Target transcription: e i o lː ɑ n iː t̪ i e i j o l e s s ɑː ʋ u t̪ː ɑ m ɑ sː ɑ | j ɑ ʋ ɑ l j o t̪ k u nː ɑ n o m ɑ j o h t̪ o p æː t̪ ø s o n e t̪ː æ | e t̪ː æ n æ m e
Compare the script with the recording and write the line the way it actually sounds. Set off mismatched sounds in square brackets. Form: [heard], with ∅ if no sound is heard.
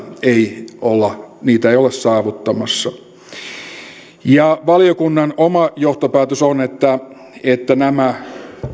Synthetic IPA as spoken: e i o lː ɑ n iː t̪ [æ] e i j o l e s s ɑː ʋ u t̪ː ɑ m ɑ sː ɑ | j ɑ ʋ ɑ l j o [∅] k u nː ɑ n o m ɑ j o h t̪ o p æː t̪ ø s o n e t̪ː æ | e t̪ː æ n æ m [æ]